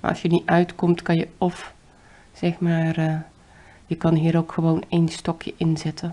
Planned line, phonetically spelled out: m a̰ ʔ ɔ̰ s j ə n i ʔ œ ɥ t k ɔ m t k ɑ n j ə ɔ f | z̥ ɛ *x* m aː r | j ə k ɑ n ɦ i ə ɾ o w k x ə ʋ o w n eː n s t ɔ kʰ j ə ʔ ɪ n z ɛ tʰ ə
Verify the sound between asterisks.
correct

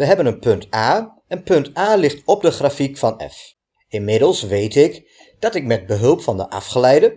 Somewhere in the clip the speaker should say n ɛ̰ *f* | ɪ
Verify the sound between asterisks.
correct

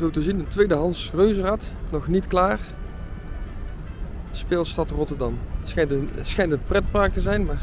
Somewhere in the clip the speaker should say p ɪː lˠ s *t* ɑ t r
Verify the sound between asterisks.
correct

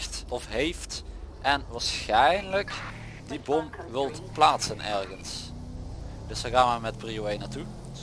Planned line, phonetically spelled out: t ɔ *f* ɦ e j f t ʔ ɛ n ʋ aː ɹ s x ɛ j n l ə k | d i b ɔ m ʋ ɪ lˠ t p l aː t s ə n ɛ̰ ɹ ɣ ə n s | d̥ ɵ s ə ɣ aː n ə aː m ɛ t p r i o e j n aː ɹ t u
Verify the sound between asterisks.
correct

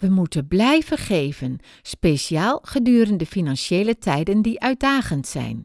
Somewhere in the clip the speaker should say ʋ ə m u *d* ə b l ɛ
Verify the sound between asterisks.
incorrect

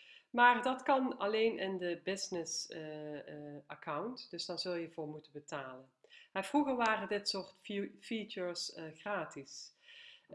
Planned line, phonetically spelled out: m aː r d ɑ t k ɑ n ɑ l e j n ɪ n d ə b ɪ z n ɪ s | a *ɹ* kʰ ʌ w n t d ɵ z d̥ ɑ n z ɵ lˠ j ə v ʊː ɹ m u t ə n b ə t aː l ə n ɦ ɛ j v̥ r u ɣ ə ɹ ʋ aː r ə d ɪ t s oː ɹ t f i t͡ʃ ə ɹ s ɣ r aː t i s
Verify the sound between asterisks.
incorrect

